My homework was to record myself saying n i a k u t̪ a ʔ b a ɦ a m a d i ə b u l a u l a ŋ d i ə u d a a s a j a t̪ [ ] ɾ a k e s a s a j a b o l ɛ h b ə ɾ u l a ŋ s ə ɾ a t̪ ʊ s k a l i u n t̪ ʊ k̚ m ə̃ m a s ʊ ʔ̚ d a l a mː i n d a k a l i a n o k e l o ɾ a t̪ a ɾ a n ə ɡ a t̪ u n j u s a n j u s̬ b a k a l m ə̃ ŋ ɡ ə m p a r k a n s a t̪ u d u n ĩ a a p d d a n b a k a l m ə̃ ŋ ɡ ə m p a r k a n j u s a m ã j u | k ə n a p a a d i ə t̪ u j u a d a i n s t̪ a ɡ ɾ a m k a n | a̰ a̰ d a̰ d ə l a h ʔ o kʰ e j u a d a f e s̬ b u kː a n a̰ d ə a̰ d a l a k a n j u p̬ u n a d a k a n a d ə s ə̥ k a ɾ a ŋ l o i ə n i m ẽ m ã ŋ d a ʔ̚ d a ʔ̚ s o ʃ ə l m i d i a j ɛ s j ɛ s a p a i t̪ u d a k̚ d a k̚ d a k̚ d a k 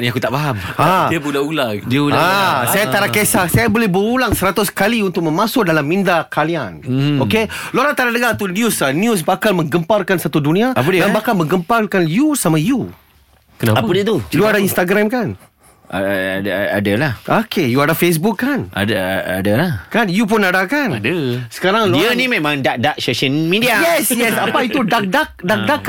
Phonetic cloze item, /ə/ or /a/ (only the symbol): a